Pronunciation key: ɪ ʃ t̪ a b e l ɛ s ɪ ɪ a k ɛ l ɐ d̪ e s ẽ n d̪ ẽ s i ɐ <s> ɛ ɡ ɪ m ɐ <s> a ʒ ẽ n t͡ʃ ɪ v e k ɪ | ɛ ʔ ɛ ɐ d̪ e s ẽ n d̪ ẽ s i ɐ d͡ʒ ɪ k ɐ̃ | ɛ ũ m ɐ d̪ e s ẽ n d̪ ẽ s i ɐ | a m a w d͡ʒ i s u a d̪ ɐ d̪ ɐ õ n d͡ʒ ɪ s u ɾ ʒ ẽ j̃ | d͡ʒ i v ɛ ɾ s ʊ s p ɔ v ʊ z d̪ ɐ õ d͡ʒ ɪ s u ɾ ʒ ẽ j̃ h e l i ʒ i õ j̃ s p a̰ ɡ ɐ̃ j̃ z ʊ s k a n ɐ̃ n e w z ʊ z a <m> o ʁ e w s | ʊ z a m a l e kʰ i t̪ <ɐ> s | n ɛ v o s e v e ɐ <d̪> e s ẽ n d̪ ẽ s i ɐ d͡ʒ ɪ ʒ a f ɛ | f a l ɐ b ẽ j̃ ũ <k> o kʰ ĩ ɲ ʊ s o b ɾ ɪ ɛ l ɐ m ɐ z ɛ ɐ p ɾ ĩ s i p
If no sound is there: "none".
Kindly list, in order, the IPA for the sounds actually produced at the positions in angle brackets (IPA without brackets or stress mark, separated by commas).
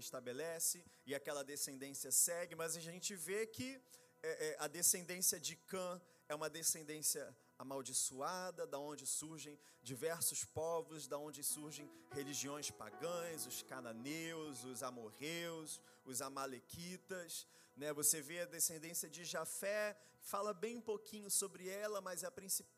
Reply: s, z, m, ɐ, d̪, p